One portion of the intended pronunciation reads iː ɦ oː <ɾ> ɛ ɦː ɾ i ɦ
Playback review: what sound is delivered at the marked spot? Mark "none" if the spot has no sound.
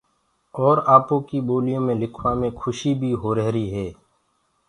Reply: ɾ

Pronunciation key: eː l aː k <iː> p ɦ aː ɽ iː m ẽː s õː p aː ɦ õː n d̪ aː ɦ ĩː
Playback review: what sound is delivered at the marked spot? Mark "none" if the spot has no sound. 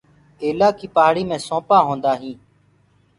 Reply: iː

